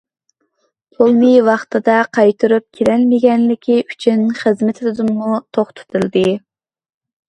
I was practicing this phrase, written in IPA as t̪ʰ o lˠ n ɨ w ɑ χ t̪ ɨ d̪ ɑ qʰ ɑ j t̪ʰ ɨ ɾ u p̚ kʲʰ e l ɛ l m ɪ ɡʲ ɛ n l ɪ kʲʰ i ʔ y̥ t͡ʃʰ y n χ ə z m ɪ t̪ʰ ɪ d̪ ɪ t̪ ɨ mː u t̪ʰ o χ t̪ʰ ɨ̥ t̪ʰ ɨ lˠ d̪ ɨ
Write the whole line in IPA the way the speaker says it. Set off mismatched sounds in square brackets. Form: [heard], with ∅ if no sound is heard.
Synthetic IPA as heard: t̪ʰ o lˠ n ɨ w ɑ χ t̪ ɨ d̪ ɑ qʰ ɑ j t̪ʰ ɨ ɾ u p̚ kʲʰ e l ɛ l m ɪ ɡʲ ɛ n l ɪ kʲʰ i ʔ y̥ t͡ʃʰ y n χ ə z m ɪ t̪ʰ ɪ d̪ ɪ [d̪] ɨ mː u t̪ʰ o χ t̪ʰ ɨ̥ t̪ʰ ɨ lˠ d̪ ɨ